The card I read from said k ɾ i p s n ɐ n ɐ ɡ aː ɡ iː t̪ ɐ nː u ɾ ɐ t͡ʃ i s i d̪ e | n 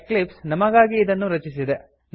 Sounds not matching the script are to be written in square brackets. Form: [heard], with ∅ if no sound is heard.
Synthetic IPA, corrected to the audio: k [l] i p s n ɐ [m] ɐ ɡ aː ɡ iː [d̪] ɐ nː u ɾ ɐ t͡ʃ i s i d̪ e | n